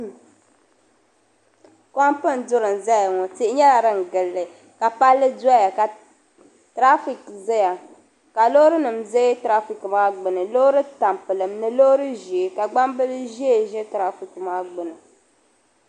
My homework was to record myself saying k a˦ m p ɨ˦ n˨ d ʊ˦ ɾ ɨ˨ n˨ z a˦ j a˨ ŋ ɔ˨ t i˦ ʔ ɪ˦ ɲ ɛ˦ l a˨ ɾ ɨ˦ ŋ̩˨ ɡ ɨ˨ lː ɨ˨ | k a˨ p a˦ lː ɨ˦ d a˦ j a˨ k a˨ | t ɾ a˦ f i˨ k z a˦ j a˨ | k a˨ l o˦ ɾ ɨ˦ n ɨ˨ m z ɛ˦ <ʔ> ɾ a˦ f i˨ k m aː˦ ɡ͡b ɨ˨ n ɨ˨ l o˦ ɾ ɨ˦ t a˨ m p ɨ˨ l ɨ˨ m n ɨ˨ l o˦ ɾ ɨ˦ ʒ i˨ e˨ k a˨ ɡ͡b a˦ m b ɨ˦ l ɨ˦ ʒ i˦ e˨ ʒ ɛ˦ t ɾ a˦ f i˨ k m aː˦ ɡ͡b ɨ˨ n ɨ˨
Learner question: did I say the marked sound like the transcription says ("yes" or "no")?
no